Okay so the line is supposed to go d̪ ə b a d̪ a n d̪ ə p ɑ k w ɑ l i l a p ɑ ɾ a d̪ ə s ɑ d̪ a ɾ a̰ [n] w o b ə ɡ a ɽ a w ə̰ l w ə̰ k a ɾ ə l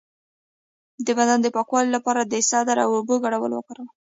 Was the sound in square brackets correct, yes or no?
no